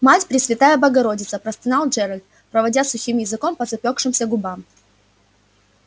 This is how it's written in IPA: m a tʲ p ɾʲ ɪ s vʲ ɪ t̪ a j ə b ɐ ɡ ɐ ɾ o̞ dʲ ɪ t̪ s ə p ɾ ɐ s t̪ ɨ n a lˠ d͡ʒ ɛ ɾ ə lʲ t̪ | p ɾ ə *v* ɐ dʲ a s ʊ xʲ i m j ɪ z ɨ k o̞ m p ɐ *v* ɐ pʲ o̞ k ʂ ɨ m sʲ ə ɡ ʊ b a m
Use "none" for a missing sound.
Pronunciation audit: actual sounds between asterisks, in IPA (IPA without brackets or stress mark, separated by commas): v, z